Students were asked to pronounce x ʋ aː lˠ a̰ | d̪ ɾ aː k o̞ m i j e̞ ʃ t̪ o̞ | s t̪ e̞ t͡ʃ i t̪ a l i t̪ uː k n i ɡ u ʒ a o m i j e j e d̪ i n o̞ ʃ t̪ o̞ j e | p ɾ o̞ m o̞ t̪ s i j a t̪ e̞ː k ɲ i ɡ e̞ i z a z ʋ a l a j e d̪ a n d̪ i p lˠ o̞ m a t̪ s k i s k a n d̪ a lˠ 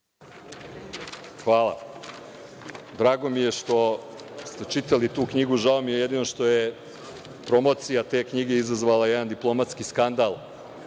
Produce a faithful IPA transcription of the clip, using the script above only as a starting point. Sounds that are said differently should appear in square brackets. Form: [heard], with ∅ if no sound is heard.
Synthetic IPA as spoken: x ʋ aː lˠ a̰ | d̪ ɾ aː [ɡ] o̞ m i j e̞ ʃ t̪ o̞ | s t̪ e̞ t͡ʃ i t̪ a l i t̪ uː k [ɲ] i ɡ u ʒ a o m i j e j e d̪ i n o̞ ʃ t̪ o̞ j e | p ɾ o̞ m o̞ t̪ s i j a t̪ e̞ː k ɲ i ɡ e̞ i z a z ʋ a l a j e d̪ a n d̪ i p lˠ o̞ m a t̪ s k i s k a n d̪ a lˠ